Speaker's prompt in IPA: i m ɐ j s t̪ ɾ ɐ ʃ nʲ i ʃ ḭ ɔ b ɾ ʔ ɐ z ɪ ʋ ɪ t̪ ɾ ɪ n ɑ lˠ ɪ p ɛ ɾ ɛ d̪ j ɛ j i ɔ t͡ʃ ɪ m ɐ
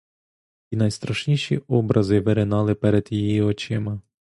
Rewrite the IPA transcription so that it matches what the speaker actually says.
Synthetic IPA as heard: i n ɐ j s t̪ ɾ ɐ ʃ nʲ i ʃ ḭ ɔ b ɾ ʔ ɐ z ɪ ʋ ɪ ɾ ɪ n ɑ lˠ ɪ p ɛ ɾ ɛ d̪ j i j i ɔ t͡ʃ ɪ m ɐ